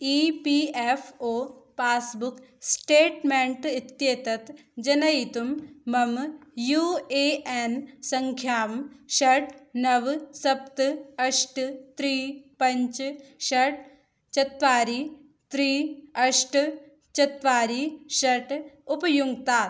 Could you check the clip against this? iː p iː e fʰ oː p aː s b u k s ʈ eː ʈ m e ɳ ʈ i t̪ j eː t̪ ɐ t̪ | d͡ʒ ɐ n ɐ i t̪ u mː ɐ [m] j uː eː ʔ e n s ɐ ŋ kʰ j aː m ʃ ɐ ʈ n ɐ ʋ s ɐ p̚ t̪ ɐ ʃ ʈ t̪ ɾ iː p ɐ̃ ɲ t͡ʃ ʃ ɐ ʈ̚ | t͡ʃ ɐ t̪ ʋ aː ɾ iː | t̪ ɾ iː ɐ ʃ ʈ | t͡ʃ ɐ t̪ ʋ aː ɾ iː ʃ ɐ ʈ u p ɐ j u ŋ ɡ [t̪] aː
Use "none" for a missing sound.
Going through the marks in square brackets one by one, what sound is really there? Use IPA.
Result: m, t̪

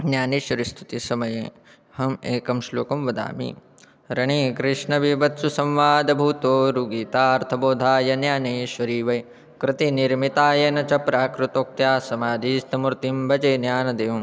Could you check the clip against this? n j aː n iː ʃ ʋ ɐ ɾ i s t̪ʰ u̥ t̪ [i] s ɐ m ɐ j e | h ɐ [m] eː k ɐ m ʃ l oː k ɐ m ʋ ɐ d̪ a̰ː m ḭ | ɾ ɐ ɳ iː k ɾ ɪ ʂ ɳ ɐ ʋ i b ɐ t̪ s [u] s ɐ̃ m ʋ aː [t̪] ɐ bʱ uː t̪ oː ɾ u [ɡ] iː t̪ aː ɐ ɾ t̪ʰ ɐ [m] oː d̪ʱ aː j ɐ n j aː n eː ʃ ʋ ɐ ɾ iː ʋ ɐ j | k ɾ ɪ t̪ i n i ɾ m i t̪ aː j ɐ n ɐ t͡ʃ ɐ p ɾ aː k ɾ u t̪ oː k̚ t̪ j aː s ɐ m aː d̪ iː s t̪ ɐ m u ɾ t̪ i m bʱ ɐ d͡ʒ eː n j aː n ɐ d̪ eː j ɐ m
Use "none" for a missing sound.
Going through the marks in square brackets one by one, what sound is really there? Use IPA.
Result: i, m, u, d̪, ɡ, b

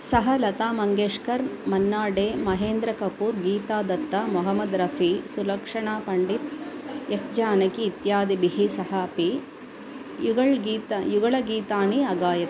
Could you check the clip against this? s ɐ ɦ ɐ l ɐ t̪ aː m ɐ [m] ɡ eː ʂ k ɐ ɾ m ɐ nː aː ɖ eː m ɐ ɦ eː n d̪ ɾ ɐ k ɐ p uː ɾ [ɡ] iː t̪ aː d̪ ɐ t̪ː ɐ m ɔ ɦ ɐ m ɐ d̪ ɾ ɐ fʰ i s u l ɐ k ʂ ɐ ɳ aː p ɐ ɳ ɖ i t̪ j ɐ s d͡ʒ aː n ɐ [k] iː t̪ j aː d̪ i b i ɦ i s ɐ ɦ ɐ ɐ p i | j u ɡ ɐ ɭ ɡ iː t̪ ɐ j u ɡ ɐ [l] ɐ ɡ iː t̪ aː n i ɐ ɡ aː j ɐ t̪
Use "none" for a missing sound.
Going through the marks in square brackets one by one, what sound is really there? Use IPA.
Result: ŋ, ɡ, k, ɭ

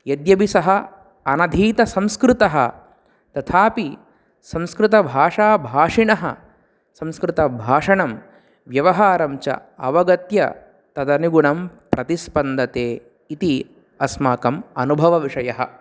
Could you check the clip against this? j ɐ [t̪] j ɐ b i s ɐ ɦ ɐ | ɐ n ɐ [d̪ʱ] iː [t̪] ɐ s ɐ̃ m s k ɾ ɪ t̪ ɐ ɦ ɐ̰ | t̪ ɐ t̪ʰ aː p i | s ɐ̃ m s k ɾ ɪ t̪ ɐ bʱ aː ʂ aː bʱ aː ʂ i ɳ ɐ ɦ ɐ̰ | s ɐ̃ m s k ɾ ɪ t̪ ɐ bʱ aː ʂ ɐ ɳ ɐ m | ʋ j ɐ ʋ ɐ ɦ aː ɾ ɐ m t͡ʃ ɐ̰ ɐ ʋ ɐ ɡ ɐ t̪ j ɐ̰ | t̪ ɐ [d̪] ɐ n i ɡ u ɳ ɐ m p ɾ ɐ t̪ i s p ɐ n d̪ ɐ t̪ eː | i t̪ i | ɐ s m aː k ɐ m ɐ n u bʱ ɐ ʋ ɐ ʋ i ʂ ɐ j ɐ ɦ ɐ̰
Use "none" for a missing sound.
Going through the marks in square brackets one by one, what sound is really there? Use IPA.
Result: d̪, d̪ʱ, t̪, d̪

